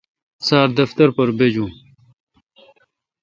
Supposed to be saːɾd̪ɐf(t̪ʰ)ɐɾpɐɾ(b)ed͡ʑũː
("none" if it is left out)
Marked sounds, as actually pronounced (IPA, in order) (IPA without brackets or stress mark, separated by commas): t̪, b